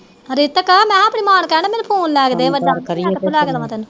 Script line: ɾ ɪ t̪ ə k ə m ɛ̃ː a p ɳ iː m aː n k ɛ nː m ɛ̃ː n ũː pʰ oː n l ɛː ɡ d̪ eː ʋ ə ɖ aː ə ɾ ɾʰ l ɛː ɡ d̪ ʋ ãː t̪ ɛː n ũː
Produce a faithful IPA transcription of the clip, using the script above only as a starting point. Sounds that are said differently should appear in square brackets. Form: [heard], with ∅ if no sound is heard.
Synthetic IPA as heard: ɾ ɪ t̪ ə k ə m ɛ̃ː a p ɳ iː m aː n k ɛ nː m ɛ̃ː n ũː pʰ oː n l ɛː ɡ d̪ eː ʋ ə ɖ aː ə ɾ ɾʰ l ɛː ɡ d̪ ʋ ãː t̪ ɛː n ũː